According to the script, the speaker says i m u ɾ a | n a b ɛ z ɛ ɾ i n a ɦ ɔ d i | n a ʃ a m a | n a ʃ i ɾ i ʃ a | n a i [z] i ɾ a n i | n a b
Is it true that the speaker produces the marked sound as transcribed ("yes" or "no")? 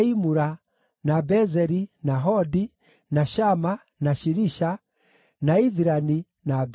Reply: no